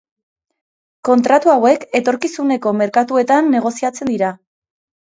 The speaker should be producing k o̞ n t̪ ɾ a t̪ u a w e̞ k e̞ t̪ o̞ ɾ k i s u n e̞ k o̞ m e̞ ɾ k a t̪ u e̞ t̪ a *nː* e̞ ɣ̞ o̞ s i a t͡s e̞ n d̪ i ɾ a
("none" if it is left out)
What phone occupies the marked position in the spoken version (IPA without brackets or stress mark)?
nː